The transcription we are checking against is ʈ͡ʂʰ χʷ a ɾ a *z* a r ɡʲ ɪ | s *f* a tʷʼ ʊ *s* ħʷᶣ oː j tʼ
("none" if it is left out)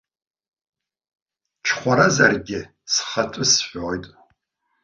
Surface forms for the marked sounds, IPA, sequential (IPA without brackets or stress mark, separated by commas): z, χ, s